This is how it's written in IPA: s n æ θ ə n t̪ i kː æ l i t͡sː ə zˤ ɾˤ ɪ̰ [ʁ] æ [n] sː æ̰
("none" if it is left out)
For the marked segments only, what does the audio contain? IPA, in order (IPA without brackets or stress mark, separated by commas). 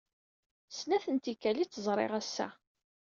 ʁ, none